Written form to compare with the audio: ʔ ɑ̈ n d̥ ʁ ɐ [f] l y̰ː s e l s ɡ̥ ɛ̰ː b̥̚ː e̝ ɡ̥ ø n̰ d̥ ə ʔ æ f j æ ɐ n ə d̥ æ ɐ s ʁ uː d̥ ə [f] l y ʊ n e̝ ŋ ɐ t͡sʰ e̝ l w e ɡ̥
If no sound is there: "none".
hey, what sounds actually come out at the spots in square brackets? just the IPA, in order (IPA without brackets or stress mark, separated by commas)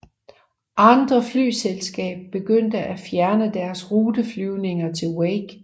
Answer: f, f